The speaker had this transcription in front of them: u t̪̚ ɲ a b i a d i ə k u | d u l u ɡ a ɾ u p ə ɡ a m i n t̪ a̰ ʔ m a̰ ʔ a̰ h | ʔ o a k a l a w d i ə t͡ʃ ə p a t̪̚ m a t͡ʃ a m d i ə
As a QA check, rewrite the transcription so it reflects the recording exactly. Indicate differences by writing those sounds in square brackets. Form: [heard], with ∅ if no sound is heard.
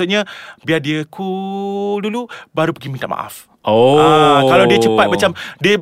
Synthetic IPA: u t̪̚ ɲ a b i a d i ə k u | d u l u [b] a ɾ u p ə ɡ [i] m i n t̪ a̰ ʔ m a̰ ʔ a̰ [f] | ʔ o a k a l a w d i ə t͡ʃ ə p a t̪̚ m a t͡ʃ a m d i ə